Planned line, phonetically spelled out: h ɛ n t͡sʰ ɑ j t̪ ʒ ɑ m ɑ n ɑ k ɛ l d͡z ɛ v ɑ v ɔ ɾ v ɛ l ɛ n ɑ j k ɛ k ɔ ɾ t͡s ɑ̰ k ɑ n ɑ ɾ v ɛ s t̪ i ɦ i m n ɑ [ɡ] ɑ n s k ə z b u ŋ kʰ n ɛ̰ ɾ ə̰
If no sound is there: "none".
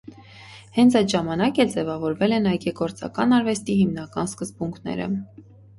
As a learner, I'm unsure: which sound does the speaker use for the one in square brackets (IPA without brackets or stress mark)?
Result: k